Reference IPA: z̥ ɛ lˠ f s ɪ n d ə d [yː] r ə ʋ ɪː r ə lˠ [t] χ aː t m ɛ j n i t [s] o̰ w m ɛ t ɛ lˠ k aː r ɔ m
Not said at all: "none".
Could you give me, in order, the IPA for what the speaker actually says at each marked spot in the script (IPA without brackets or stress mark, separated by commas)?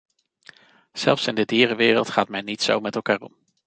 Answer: iː, t, s